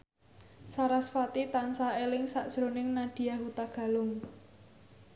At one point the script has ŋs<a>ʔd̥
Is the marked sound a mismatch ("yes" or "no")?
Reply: no